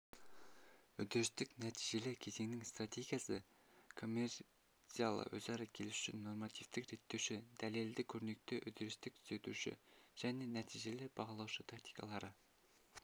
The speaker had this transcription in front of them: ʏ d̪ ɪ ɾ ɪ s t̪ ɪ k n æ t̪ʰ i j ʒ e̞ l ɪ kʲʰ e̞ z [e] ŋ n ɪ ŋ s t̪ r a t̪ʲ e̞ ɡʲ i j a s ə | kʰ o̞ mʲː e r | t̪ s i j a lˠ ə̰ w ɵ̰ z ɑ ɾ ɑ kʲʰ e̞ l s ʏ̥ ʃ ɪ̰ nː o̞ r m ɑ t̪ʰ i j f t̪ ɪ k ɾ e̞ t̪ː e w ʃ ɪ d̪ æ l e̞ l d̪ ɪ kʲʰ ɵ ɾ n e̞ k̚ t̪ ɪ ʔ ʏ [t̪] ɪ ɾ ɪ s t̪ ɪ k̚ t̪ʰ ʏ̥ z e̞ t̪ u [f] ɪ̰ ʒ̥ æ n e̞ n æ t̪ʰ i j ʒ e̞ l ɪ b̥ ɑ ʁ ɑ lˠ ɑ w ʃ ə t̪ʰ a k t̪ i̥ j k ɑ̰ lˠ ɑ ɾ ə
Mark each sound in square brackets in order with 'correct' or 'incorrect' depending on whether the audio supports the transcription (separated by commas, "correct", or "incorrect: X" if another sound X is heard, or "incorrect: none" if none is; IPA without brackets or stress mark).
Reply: correct, incorrect: d̪, incorrect: ʃ